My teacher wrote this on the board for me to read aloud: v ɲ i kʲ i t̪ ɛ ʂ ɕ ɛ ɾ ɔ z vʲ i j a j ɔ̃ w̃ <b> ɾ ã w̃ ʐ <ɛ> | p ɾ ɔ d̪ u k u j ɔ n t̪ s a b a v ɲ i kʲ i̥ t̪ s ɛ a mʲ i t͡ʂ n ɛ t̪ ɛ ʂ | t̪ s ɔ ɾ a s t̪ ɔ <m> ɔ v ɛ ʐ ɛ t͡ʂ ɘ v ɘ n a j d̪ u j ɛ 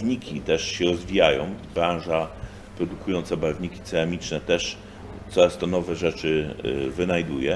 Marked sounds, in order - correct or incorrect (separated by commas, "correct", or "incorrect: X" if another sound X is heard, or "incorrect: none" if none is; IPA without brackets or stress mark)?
correct, incorrect: a, incorrect: n